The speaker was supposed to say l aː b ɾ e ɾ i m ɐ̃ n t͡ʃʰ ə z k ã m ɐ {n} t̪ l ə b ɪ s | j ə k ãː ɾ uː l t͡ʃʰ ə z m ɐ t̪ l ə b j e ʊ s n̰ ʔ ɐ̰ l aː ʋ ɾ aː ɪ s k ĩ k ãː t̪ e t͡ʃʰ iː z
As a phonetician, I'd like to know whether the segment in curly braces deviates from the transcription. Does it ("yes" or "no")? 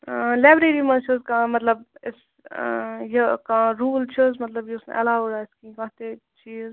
yes